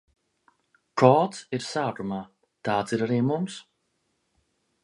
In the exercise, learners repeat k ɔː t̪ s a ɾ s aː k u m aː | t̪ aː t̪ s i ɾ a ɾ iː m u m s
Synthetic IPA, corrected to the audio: k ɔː t̪ s i ɾ s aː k u m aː | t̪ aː t̪ s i ɾ a ɾ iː m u m s